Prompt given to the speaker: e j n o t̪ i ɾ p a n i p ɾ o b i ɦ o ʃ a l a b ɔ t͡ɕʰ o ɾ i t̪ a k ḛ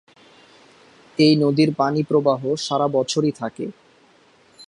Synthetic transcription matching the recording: e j n o d̪ i ɾ p a n i p ɾ o b a ɦ o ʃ a ɾ a b ɔ t͡ɕʰ o ɾ i t̪ʰ a k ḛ